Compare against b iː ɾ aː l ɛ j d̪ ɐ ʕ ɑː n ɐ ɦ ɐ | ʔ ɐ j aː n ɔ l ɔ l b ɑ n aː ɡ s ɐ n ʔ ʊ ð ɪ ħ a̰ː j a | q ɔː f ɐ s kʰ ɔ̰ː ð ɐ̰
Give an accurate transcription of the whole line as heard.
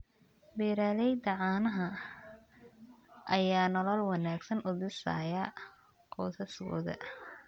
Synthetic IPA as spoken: b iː ɾ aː l ɛ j d̪ ɐ ʕ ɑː n ɐ ɦ ɐ | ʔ ɐ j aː n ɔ l ɔ l w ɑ n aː ɡ s ɐ n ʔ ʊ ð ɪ s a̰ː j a | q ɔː s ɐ s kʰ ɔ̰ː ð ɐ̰